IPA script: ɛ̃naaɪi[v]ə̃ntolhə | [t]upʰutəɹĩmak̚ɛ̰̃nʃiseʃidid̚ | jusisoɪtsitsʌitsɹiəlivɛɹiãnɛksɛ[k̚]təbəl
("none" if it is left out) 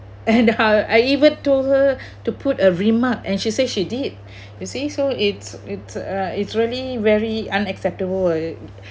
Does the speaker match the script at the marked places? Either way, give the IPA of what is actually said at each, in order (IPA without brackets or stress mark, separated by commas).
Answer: v, t, p̚